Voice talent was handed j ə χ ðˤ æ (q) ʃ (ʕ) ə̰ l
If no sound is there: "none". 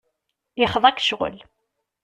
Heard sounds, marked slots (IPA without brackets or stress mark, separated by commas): k, ʁ